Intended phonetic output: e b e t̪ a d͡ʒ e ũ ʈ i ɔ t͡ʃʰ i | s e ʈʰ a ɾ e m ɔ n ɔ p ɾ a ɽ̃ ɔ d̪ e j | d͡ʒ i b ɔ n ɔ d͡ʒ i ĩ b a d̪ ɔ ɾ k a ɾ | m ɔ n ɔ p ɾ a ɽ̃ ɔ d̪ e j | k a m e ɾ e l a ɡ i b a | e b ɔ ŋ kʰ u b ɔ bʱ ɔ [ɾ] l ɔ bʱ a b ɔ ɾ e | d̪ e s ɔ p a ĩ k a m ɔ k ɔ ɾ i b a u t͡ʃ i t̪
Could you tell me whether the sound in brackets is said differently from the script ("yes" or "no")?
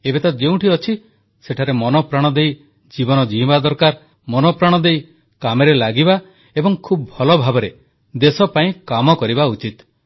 yes